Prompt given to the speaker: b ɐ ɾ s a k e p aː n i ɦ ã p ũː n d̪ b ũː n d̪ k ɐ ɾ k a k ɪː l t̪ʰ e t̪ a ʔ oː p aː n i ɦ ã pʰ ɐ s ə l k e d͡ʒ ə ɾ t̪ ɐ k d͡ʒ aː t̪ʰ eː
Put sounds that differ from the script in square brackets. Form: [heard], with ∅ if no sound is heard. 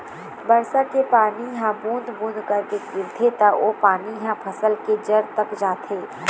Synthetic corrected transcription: b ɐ ɾ s a k e p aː n i ɦ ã [b] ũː n d̪ b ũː n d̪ k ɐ ɾ k [e] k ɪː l t̪ʰ e t̪ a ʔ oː p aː n i ɦ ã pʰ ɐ s ə l k e d͡ʒ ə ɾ t̪ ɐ k d͡ʒ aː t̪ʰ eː